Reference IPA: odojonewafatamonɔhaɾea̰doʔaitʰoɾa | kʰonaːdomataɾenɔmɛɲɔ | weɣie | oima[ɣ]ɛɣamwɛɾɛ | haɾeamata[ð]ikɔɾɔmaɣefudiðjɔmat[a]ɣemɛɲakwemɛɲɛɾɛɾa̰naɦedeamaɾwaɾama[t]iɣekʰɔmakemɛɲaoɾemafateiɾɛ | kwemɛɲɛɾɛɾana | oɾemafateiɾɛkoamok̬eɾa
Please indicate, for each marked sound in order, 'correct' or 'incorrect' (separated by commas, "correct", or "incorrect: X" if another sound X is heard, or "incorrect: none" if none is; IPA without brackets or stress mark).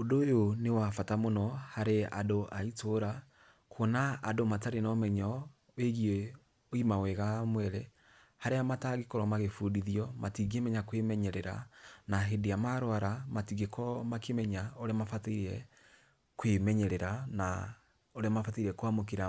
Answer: incorrect: w, incorrect: ɣ, incorrect: i, correct